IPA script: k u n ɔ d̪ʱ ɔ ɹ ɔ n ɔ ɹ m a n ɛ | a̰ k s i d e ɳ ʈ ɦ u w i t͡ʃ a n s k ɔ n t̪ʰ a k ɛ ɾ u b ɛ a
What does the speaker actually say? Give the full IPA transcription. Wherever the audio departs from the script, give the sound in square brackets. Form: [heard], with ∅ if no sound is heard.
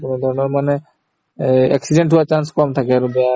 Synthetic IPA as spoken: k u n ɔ d̪ʱ ɔ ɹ ɔ n ɔ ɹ m a n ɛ | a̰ k s i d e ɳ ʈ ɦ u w [a] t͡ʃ a n s k ɔ [m] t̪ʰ a k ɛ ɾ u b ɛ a